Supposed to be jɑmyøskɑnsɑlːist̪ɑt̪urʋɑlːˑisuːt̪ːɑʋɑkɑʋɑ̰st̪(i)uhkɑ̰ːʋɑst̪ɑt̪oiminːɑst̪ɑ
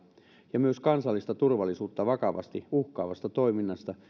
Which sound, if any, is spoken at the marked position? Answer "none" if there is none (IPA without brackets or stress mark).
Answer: i